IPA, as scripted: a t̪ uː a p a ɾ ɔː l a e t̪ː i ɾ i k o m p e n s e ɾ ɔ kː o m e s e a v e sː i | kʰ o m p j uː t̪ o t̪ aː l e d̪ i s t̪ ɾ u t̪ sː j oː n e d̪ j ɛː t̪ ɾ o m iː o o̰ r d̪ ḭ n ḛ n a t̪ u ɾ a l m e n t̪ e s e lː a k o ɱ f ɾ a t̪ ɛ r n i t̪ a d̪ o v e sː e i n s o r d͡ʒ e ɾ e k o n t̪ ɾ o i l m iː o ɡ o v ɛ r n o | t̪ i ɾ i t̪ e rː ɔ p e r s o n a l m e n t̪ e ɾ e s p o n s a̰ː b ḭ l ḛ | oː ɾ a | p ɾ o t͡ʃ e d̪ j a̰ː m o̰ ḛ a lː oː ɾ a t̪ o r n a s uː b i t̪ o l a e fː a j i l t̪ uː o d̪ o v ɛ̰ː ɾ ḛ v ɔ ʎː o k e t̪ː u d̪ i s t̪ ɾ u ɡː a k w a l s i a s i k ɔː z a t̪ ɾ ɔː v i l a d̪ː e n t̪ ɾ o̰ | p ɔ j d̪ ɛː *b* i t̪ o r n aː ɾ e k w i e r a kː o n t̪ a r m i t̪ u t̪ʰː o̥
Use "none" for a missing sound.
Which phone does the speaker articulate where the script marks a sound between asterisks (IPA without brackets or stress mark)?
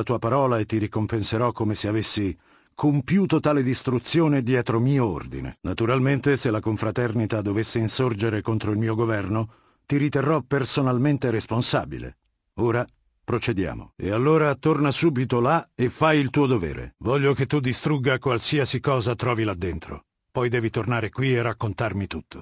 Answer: v